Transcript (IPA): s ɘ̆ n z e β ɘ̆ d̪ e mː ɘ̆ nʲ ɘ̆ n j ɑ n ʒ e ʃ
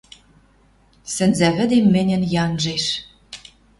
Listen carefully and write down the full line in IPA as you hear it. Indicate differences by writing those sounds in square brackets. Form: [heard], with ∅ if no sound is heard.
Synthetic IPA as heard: s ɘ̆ n z [æ] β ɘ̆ d̪ e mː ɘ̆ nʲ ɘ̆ n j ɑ n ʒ e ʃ